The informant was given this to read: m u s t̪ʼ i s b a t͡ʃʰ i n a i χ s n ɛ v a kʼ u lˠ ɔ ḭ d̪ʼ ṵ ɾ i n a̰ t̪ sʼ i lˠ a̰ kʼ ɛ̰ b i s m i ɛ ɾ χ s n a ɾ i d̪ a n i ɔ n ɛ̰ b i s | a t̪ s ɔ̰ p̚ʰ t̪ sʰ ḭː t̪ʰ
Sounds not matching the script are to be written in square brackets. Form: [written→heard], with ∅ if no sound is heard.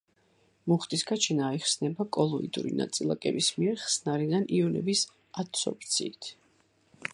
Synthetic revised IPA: m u [s→χ] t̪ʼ i s [b→ɡ] a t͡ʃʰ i n a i χ s n ɛ [v→b] a kʼ [u→ɔ] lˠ ɔ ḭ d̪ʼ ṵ ɾ i n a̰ t̪ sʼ i lˠ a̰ kʼ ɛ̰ b i s m i ɛ ɾ χ s n a ɾ i d̪ a n i ɔ n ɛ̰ b i s | a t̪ s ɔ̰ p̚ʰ t̪ sʰ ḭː t̪ʰ

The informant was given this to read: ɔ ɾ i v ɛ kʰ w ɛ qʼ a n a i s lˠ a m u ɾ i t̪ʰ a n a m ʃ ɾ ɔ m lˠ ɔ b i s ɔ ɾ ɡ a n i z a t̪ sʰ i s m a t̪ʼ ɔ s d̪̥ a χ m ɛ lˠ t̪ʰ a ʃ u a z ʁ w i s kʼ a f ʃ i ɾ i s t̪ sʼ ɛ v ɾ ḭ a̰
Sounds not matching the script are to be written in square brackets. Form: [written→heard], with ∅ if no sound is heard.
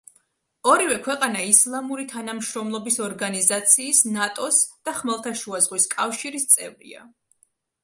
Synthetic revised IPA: ɔ ɾ i v ɛ kʰ w ɛ qʼ a n a i s lˠ a m u ɾ i t̪ʰ a n a m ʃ ɾ ɔ m lˠ ɔ b i s ɔ ɾ ɡ a n i z a t̪ sʰ [i→iː] s [m→n] a t̪ʼ ɔ s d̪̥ a χ m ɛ lˠ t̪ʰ a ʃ u a z ʁ w i s kʼ a f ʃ i ɾ i s t̪ sʼ ɛ v ɾ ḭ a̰

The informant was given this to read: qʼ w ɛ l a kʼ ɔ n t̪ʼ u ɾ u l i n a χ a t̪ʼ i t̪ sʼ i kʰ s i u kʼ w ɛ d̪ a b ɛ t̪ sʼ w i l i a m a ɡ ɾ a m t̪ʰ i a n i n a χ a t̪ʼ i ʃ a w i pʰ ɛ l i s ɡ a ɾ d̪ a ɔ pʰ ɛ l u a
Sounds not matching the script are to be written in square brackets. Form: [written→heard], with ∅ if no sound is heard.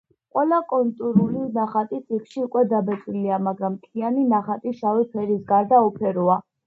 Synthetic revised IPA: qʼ w ɛ l a kʼ ɔ n t̪ʼ u ɾ u l i n a χ a t̪ʼ i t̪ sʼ i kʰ [s→ʃ] i u kʼ w ɛ d̪ a b ɛ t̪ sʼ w i l i a m a ɡ ɾ a m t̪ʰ i a n i n a χ a t̪ʼ i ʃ a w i pʰ ɛ [l→ɾ] i s ɡ a ɾ d̪ a ɔ pʰ ɛ [l→ɾ] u a

